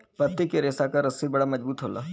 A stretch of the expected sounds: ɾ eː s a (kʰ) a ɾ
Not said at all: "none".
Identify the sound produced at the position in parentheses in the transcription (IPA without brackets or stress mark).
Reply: k